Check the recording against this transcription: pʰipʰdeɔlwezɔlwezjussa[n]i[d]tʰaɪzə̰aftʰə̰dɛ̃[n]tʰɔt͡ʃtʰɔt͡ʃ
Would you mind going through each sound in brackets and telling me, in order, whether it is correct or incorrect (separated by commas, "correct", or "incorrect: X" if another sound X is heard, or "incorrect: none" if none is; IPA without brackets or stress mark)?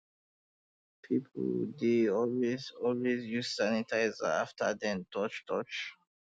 correct, incorrect: none, correct